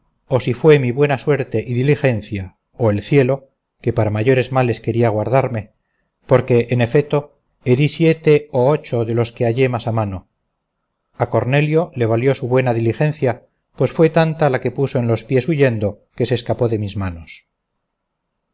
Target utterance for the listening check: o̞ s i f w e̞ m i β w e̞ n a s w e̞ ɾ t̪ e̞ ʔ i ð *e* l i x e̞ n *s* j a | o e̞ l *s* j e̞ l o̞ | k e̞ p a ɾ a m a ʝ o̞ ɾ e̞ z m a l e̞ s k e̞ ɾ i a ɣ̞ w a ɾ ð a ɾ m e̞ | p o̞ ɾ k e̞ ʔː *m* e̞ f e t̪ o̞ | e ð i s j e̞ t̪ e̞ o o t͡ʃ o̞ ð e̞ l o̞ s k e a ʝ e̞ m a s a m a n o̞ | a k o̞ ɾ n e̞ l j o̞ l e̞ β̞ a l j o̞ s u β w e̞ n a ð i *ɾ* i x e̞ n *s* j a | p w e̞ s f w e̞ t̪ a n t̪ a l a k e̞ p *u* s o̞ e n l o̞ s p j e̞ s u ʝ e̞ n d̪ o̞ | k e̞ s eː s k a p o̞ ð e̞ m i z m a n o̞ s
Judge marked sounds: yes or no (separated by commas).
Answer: no, no, no, no, no, no, yes